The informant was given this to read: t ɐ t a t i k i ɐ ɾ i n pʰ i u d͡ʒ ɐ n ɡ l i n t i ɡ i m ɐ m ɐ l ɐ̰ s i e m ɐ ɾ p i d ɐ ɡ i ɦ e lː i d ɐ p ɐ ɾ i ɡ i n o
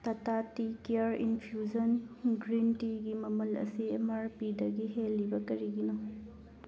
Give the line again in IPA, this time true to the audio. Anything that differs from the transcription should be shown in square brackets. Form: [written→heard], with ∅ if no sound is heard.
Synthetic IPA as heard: t ɐ t a t i k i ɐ ɾ i n pʰ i u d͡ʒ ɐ n ɡ [l→ɾ] i n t i ɡ i m ɐ m ɐ l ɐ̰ s i e m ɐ ɾ p i d ɐ ɡ i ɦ e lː i [d→b] ɐ [p→k] ɐ ɾ i ɡ i n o